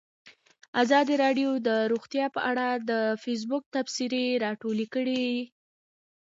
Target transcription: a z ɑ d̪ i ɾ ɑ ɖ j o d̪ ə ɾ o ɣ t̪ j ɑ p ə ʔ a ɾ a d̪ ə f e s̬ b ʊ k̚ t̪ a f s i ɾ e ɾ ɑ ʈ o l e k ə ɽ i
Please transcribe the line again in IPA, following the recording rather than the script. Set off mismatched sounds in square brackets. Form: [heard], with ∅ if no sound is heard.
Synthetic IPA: a z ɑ d̪ i ɾ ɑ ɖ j o d̪ ə ɾ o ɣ t̪ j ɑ p ə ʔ a [ɽ] a d̪ ə f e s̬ b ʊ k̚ t̪ a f s i ɾ e ɾ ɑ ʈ o l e k ə ɽ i